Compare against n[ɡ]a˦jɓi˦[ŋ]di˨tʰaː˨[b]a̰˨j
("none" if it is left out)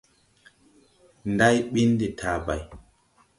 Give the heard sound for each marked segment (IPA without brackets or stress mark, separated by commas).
d, n, b